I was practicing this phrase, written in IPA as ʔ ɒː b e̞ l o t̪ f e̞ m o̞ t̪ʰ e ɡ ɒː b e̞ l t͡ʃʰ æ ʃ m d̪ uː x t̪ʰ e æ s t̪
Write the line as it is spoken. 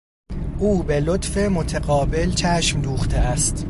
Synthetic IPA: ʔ uː b e̞ l o t̪ f e̞ m o̞ t̪ʰ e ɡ ɒː b e̞ l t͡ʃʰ æ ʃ m d̪ uː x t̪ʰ e æ s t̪